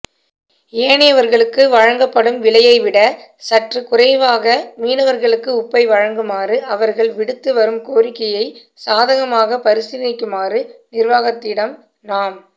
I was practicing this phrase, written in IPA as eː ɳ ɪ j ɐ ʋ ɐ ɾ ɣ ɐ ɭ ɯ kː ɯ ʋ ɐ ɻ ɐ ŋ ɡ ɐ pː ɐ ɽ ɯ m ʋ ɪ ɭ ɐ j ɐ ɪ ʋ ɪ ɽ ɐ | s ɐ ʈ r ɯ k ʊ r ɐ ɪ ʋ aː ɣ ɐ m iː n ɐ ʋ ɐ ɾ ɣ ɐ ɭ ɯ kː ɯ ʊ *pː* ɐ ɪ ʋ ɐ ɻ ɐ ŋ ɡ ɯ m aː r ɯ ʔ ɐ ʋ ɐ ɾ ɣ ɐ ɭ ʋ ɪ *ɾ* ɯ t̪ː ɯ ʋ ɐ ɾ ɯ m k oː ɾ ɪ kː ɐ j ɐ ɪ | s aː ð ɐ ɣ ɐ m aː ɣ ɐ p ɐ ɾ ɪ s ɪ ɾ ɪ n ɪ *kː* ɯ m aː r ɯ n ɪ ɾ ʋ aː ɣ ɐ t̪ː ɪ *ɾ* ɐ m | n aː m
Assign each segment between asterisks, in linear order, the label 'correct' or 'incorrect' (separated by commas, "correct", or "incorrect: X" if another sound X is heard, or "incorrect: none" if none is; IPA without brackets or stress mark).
correct, incorrect: ɽ, correct, incorrect: ɽ